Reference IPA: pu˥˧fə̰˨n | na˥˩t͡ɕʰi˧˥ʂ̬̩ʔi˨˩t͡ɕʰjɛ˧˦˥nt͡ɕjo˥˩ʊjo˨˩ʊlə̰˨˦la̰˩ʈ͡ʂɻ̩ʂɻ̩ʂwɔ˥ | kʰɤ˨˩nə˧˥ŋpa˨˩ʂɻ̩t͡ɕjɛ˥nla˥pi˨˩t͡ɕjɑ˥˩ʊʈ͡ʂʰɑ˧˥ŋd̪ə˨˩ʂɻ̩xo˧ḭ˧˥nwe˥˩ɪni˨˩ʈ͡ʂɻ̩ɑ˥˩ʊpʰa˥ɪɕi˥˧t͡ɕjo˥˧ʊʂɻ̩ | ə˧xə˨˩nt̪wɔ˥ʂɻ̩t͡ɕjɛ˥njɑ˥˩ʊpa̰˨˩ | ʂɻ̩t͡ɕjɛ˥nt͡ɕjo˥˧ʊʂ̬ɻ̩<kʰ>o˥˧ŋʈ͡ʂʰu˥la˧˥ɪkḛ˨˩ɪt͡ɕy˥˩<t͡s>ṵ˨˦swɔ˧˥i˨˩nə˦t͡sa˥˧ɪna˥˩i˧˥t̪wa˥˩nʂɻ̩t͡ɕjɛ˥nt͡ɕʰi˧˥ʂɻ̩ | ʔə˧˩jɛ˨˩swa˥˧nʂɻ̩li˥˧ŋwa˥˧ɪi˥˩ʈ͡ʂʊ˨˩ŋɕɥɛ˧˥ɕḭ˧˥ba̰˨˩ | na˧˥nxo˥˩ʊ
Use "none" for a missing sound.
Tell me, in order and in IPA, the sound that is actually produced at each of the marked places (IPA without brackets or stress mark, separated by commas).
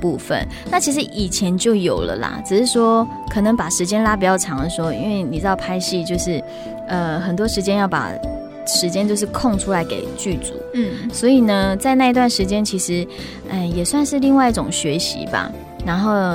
kʰ, t͡s